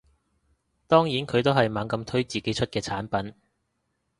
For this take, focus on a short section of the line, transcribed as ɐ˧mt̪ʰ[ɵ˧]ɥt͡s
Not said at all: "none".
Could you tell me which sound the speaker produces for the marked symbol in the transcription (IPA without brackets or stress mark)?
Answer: ɵ˥